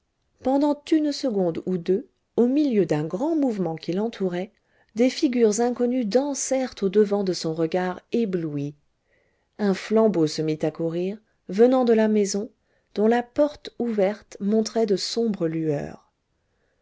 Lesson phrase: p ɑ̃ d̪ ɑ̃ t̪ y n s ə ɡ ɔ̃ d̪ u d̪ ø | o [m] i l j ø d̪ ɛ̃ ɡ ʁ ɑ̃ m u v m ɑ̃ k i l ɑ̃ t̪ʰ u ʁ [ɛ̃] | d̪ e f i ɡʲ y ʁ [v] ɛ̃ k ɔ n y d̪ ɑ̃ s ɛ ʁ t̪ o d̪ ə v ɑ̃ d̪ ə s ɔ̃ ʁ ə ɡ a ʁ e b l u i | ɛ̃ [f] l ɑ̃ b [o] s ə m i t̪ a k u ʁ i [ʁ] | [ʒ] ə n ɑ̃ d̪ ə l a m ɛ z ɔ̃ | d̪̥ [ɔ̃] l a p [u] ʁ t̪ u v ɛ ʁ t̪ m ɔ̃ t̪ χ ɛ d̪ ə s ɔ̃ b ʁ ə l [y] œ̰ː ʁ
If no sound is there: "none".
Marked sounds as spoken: m, ɛ, z, f, o, ʁ, v, ɔ̃, ɔ, y

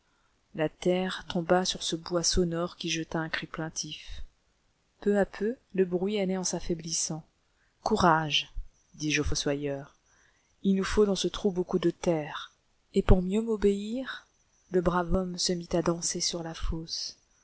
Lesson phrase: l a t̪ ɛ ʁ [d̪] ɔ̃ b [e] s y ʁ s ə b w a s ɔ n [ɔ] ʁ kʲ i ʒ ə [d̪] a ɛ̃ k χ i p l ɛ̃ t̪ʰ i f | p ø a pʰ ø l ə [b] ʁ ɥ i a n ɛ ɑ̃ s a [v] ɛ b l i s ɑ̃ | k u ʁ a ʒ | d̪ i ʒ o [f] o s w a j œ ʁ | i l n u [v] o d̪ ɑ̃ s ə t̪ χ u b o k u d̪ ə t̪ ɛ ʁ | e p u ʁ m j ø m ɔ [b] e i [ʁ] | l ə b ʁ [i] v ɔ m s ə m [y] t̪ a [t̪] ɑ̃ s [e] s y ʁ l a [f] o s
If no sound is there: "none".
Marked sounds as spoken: t̪, a, ɔ, t̪, b, f, f, f, b, ʁ, a, i, d̪, e, f

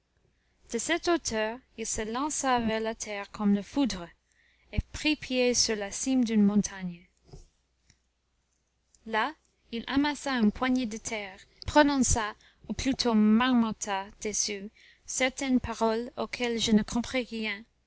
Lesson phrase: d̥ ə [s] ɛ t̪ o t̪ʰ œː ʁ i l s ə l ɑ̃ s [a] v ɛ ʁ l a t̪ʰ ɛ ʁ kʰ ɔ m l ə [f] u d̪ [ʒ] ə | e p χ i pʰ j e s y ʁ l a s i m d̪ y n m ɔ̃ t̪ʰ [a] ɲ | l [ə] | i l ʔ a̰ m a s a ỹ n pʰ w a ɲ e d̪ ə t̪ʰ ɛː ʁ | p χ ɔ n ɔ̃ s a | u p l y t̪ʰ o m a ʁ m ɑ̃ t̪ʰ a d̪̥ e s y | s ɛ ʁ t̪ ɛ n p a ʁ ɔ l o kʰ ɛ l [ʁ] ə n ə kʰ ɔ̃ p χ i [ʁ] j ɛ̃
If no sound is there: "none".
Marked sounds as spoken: s, a, f, ʁ, a, a, ʒ, ʁ

